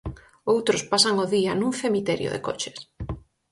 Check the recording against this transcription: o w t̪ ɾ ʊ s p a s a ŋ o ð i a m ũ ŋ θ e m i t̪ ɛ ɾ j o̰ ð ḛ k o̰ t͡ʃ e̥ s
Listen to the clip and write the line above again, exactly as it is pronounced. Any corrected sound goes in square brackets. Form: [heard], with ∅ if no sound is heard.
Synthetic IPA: o w t̪ ɾ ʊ s p a s a ŋ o ð i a [n] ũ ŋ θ e m i t̪ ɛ ɾ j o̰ ð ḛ k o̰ t͡ʃ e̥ s